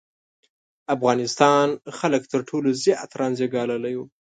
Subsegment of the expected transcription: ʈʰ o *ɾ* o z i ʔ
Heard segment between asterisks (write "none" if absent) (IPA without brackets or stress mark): l